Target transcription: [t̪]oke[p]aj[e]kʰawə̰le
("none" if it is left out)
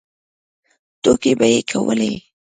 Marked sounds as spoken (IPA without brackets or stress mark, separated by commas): t̪, b, e